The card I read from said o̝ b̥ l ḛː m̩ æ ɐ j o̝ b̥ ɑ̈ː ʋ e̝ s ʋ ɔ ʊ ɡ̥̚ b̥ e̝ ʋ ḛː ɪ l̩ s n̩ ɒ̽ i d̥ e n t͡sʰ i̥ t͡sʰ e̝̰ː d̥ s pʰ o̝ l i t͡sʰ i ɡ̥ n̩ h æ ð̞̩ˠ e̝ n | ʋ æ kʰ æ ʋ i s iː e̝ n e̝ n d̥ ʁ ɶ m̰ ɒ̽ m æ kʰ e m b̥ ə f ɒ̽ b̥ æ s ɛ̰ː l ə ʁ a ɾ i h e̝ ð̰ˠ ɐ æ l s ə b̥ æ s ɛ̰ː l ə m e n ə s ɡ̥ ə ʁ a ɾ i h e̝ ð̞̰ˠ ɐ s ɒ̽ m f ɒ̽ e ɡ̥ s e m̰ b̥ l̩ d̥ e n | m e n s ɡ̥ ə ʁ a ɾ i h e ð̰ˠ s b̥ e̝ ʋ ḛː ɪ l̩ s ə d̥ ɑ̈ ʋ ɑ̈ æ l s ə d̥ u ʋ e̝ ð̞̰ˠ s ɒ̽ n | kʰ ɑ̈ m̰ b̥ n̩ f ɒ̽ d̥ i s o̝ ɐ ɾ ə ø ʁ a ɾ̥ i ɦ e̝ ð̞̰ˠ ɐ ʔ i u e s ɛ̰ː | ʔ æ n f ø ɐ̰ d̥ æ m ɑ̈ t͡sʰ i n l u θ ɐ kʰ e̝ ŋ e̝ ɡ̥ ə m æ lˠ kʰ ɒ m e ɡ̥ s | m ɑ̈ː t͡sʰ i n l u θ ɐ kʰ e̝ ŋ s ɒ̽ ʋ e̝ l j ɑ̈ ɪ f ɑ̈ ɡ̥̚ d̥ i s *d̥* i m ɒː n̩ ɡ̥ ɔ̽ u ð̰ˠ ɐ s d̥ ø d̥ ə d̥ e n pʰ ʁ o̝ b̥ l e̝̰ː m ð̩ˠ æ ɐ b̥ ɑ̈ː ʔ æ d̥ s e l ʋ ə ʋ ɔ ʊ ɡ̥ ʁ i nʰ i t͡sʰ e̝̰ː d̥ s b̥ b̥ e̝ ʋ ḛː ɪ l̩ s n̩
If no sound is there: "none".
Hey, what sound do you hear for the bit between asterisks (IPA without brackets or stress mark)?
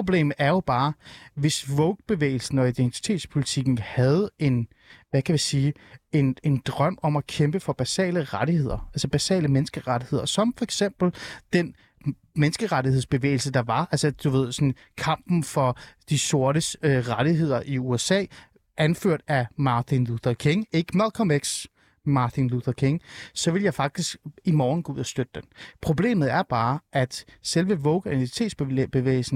ɡ̥